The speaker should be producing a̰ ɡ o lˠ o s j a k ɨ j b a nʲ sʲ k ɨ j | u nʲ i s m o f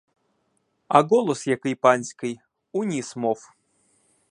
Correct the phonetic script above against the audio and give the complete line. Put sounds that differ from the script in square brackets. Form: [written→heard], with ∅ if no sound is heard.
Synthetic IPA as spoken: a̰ ɡ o lˠ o s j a k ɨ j [b→p] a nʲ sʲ k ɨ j | u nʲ i s m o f